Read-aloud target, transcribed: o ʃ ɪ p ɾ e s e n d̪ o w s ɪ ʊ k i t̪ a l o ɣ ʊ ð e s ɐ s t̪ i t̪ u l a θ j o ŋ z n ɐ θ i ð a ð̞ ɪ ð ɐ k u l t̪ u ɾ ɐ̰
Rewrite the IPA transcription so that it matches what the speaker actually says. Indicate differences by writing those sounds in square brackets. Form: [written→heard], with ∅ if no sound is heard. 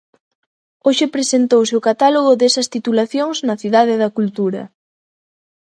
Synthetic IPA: o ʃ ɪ p ɾ e s e n [d̪→t̪] o w s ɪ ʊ k [i→a] t̪ a l o ɣ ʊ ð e s ɐ s t̪ i t̪ u l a θ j o ŋ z n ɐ θ i ð a ð̞ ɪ ð ɐ k u l t̪ u ɾ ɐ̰